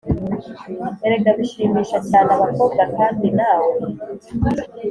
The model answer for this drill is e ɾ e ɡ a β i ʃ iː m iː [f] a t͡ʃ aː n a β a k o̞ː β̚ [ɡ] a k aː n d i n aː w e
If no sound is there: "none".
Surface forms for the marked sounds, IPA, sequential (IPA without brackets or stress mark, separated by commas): ʃ, ɡ